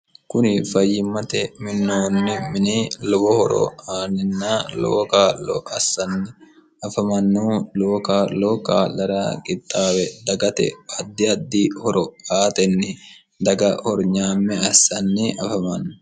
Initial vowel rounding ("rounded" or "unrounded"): rounded